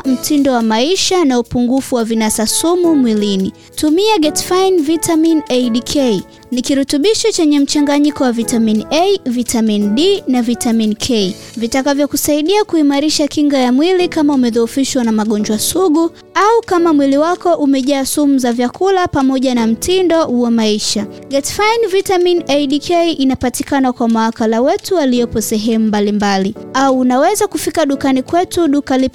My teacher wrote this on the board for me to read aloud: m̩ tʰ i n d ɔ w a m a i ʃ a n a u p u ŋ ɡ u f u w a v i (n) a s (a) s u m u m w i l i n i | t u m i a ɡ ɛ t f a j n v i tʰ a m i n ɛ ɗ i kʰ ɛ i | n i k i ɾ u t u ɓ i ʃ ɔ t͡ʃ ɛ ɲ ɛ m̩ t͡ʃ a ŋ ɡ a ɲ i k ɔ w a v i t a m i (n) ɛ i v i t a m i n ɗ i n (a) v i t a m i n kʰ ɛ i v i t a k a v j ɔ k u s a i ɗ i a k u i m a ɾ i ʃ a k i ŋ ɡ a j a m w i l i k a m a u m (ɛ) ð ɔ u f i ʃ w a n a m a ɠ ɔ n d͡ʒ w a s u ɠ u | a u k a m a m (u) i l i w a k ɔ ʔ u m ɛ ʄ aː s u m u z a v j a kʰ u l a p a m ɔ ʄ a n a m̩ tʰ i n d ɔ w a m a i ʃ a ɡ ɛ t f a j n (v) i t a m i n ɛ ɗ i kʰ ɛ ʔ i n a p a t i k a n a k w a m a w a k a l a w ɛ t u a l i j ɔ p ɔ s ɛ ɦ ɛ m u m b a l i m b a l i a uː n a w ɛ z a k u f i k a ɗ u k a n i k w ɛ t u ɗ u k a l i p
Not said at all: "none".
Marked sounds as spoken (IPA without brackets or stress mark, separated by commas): n, a, n, a, ɛ, w, v